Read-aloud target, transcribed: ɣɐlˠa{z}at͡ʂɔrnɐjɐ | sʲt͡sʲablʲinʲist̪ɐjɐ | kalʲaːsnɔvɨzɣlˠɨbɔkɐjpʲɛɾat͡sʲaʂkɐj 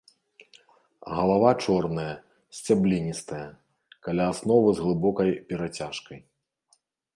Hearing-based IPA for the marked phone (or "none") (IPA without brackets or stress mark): v